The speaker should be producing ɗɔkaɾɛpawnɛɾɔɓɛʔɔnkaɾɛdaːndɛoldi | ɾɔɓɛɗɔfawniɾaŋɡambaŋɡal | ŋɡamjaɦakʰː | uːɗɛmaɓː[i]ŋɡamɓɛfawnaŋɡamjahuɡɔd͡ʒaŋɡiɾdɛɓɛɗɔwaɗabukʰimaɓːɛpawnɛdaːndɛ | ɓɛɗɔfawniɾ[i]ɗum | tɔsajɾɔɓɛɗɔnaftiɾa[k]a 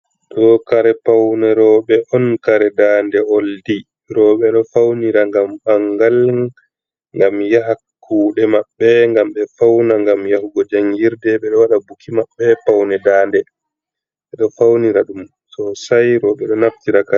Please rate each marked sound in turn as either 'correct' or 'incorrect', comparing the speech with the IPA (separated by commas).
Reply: incorrect, incorrect, correct